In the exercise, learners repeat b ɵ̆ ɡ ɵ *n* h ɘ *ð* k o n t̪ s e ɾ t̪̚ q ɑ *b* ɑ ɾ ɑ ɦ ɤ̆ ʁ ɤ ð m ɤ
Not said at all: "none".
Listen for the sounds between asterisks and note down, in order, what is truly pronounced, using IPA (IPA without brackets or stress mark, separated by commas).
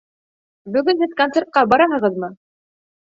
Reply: n, ð, b